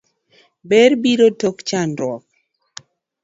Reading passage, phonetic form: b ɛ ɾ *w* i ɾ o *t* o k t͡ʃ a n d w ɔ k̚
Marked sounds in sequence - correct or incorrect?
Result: incorrect, correct

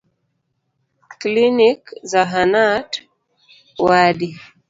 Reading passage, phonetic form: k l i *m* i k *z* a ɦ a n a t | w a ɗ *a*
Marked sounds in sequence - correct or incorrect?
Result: incorrect, correct, incorrect

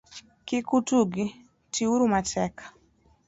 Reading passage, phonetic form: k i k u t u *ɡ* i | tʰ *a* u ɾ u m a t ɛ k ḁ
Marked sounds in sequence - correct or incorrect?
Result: correct, incorrect

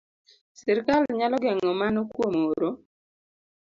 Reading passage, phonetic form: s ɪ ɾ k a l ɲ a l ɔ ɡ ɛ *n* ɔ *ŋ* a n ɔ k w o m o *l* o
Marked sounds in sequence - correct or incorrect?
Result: incorrect, incorrect, incorrect

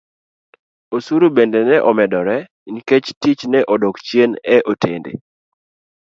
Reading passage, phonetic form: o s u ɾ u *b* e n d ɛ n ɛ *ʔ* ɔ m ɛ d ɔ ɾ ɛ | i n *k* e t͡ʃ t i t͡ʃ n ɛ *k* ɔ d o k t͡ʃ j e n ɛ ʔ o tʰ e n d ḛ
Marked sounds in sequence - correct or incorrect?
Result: correct, correct, correct, incorrect

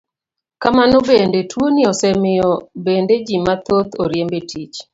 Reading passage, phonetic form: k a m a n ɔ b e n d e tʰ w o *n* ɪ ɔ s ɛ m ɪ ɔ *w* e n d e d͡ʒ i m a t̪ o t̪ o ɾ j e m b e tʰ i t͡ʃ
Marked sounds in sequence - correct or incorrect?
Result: correct, incorrect

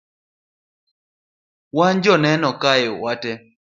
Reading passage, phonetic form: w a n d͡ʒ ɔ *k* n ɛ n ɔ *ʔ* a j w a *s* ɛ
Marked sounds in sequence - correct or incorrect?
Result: incorrect, incorrect, incorrect

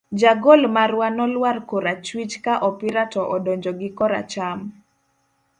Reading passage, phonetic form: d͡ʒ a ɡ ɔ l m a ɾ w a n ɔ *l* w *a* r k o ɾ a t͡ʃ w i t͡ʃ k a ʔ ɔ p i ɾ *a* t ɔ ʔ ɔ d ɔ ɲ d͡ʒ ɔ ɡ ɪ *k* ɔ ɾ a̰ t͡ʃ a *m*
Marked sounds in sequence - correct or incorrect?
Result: correct, correct, correct, correct, correct

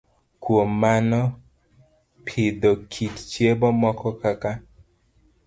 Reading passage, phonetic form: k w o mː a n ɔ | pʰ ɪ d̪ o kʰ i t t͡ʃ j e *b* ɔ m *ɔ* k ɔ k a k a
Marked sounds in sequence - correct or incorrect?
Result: correct, correct

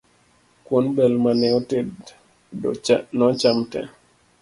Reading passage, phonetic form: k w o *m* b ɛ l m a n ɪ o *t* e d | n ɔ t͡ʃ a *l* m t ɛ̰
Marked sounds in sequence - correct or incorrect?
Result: incorrect, correct, incorrect

